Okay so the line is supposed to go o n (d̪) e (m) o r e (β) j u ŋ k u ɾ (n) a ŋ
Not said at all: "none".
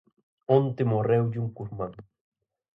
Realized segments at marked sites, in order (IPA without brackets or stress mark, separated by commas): t̪, m, w, m